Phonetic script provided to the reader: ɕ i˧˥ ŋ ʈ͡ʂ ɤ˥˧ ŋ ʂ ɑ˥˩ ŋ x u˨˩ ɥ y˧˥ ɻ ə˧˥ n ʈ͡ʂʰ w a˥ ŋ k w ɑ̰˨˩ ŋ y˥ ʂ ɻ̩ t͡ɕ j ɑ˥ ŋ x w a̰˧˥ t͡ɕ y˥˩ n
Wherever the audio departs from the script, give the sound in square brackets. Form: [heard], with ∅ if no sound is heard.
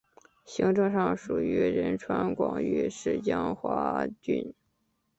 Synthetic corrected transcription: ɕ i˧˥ ŋ ʈ͡ʂ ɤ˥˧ ŋ ʂ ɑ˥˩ ŋ [ʂ] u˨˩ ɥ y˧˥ ɻ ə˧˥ n ʈ͡ʂʰ w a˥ [n] k w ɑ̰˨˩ ŋ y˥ ʂ ɻ̩ t͡ɕ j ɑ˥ ŋ x w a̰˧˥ t͡ɕ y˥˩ n